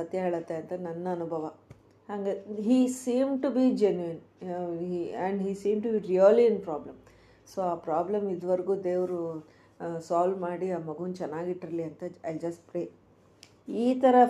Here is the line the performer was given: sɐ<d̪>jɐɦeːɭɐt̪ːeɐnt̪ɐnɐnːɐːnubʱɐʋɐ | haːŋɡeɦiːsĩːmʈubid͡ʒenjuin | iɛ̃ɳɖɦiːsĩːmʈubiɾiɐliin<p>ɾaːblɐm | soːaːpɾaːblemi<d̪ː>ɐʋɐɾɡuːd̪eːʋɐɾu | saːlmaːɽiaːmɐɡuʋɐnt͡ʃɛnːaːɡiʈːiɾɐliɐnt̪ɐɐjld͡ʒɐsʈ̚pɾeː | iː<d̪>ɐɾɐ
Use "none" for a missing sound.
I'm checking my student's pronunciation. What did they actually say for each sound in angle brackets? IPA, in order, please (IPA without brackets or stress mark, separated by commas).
t̪, p, d̪, t̪